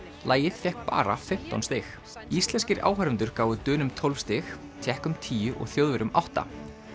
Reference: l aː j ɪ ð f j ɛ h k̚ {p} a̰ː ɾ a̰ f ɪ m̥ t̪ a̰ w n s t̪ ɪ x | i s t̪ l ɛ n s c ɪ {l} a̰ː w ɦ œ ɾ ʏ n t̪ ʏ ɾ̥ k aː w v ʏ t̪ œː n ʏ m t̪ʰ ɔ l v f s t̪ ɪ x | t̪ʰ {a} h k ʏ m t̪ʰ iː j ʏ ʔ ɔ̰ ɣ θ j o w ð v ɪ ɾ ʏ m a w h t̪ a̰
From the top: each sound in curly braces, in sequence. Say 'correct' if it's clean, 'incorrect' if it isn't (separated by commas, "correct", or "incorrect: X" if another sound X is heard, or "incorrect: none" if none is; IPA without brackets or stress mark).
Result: correct, incorrect: ɾ, incorrect: ɛ